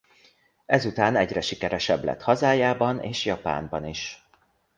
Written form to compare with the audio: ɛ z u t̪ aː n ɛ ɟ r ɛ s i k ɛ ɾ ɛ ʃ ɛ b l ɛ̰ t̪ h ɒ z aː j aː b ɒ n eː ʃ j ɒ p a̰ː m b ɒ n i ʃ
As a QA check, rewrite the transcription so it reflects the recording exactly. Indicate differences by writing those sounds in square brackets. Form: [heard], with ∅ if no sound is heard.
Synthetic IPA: ɛ z u t̪ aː n ɛ ɟ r ɛ [ʃ] i k ɛ ɾ ɛ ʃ ɛ b l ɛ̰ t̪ h ɒ z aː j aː b ɒ n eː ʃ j ɒ p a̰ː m b ɒ n i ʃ